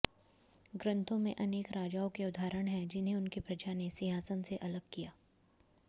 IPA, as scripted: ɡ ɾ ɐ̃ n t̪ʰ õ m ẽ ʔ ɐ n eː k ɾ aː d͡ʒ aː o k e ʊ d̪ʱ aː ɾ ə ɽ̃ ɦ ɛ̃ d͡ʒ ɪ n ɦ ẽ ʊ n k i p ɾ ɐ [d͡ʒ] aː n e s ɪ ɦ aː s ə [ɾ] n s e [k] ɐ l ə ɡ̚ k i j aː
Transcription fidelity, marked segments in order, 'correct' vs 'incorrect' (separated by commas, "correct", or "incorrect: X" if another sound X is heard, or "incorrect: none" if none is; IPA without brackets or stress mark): correct, incorrect: none, incorrect: ʔ